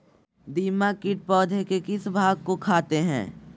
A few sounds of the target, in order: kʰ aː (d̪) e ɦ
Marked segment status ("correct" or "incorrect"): incorrect